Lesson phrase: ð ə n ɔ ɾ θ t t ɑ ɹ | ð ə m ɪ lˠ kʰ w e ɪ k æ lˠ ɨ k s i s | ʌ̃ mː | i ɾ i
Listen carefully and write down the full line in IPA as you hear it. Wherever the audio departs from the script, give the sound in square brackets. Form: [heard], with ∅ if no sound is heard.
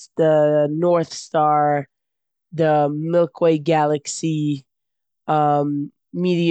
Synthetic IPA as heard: ð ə n ɔ [ɹ] θ [s] t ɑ ɹ | ð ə m ɪ lˠ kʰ w e ɪ [ɡ] æ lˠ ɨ k s i [∅] | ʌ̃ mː | i ɾ i